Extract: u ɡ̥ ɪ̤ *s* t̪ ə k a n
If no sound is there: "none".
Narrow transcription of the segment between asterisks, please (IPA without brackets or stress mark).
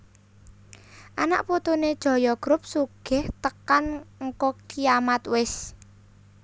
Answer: h